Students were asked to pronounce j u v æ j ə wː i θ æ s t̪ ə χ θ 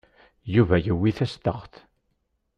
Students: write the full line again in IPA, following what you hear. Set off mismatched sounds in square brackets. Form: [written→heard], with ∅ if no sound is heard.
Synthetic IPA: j u v æ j ə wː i θ æ s t̪ ə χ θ